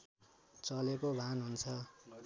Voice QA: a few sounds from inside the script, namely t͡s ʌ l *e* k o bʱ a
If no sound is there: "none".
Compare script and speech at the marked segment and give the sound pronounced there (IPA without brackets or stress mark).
e